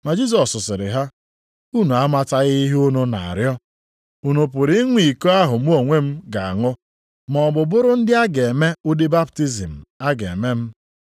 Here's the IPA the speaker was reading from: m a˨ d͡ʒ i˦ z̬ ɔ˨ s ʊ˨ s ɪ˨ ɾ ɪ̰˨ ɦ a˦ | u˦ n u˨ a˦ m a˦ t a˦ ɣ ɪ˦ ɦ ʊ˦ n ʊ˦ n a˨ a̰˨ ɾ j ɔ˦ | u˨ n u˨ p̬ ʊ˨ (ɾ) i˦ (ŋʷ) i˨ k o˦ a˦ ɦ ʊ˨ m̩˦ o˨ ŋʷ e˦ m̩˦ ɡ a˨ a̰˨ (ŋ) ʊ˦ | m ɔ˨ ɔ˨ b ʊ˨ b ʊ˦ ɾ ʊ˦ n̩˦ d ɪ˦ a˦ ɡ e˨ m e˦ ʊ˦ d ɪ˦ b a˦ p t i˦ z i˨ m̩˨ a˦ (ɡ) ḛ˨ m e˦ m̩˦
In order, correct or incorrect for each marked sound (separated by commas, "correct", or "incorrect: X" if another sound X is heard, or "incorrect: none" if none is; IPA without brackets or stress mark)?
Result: correct, correct, correct, correct